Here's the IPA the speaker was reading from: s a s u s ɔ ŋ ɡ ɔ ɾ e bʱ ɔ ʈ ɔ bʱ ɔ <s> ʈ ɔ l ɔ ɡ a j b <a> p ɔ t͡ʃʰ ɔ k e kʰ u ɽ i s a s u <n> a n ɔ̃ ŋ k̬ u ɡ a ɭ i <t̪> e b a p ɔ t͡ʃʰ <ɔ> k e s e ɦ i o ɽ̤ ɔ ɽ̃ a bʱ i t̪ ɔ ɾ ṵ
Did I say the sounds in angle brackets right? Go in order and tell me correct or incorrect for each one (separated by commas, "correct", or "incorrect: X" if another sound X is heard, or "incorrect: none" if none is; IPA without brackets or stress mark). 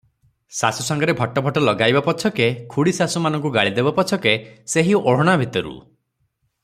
incorrect: none, correct, incorrect: m, incorrect: d̪, correct